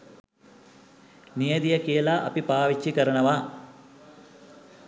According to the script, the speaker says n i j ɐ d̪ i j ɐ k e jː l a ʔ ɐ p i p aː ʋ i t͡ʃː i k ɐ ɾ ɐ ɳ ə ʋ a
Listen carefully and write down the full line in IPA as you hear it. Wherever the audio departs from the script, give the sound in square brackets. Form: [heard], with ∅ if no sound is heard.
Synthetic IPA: n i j ɐ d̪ i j ɐ k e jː l a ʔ ɐ p i p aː ʋ i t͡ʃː i k ɐ ɾ ɐ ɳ [ɐ] ʋ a